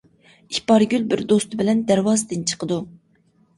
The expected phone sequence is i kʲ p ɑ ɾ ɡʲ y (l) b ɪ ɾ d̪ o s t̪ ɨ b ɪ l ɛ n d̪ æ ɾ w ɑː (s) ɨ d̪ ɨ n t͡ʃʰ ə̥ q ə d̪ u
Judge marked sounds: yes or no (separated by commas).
yes, no